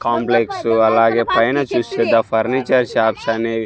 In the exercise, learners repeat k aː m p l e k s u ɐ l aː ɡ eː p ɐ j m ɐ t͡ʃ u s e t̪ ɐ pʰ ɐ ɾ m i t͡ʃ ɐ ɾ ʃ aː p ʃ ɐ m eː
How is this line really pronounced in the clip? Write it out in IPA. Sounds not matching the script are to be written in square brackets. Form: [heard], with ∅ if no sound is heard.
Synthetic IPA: k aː m p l e k s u ɐ l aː ɡ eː p ɐ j [n] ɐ t͡ʃ u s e [d̪] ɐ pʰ ɐ ɾ [n] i t͡ʃ ɐ ɾ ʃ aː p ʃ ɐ [n] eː